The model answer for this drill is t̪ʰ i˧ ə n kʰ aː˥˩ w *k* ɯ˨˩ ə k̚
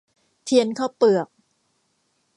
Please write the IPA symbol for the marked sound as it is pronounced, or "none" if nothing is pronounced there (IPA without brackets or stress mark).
p